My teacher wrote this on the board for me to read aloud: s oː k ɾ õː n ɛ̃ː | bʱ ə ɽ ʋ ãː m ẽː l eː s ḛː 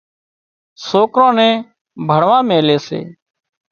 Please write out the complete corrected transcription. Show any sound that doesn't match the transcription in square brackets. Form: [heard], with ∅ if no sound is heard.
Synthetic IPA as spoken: s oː k ɾ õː n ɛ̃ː | bʱ ə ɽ ʋ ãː m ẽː l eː s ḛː